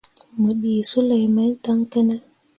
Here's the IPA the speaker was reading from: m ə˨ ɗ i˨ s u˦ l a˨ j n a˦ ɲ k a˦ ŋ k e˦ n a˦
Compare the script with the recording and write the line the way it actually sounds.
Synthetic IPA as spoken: m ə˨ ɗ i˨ s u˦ l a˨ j m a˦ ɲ t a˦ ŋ k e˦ n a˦